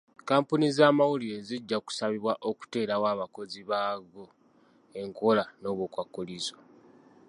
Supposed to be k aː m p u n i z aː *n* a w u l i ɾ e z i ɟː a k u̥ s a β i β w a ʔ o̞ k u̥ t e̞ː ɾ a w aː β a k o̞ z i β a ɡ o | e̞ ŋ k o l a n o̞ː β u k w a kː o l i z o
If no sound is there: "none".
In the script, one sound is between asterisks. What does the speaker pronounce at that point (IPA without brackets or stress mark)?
m